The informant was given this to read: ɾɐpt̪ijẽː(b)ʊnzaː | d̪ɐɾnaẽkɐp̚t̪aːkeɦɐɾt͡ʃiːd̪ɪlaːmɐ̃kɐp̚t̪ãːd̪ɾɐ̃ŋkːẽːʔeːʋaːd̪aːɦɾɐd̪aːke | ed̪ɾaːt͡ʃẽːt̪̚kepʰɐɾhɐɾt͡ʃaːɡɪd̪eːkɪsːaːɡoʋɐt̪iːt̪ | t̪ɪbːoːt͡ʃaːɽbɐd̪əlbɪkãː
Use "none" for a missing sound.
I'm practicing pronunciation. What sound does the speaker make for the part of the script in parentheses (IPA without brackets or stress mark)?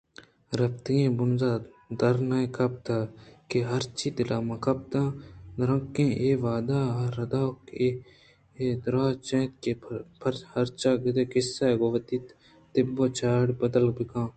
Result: b